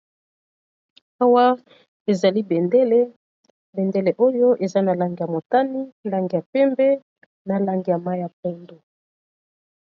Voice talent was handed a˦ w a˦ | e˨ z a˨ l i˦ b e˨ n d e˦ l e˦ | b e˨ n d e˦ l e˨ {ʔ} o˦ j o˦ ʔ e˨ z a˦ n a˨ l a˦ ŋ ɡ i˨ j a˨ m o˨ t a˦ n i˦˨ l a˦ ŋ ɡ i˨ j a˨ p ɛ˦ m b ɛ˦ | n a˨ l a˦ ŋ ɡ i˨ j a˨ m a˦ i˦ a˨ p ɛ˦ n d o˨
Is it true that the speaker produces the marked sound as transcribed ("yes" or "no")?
yes